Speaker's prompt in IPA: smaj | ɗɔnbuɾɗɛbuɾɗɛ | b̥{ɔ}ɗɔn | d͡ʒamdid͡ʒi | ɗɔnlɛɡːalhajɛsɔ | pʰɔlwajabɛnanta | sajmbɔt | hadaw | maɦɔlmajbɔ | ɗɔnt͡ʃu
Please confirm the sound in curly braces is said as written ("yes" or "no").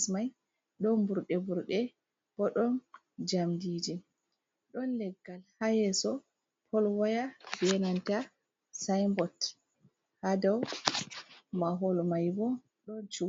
yes